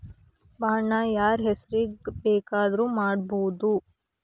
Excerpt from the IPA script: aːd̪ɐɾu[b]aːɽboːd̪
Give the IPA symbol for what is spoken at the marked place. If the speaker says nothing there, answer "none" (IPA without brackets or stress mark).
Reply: m